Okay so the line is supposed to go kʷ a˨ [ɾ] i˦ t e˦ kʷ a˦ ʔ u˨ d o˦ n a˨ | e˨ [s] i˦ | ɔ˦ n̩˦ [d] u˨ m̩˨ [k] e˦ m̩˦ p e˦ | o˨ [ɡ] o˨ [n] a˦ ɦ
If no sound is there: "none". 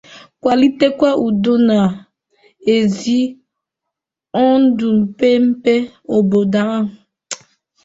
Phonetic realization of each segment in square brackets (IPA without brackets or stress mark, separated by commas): l, z, d, p, b, d